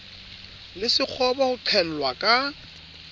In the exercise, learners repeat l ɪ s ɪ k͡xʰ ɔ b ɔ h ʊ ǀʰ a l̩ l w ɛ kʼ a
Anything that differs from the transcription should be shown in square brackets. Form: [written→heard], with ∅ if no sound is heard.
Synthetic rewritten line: l ɪ s ɪ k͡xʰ ɔ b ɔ h ʊ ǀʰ [a→ɛ] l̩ l w [ɛ→a] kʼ a